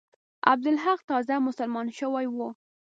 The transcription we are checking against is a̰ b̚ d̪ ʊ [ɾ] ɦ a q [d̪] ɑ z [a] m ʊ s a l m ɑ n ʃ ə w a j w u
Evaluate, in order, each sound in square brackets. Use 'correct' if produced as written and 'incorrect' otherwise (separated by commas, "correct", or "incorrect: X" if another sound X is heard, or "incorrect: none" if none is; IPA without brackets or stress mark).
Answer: incorrect: l, incorrect: t̪, correct